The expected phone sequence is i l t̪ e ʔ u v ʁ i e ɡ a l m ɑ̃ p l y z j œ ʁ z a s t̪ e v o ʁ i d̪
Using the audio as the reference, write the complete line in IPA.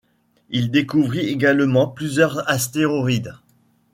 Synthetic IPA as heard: i l d̪ e k u v ʁ i e ɡ a l m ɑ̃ p l y z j œ ʁ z a s t̪ e ʁ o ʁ i d̪